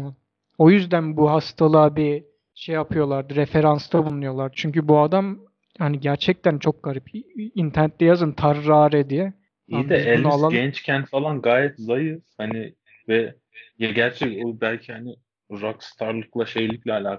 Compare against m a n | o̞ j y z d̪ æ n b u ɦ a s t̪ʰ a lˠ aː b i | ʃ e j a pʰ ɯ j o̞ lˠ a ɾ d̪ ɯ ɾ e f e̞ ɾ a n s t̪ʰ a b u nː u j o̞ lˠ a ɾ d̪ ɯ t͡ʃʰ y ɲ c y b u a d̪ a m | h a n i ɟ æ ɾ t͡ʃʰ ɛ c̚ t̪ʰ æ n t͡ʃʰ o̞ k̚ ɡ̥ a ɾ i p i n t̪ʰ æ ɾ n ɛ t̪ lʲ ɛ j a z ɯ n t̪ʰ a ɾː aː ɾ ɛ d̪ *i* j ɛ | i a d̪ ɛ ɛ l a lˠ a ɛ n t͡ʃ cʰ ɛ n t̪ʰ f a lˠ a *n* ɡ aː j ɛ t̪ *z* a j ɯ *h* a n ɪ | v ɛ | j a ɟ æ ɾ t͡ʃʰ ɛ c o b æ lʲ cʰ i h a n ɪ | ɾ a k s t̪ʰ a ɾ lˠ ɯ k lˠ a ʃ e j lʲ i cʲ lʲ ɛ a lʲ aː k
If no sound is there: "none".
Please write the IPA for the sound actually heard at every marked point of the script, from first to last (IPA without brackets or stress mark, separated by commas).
i, n, z, h